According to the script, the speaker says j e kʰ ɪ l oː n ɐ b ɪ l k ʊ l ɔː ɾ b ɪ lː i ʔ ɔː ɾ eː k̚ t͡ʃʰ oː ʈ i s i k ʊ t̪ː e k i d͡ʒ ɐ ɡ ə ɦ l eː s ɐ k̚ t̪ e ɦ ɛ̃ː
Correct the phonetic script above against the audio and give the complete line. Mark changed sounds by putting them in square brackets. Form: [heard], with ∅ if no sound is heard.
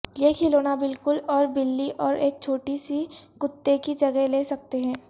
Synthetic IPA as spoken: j e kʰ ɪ l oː n [a] b ɪ l k ʊ l ɔː ɾ b ɪ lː i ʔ ɔː ɾ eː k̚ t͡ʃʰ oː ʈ i s i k ʊ t̪ː e k i d͡ʒ ɐ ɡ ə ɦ l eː s ɐ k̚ t̪ e ɦ ɛ̃ː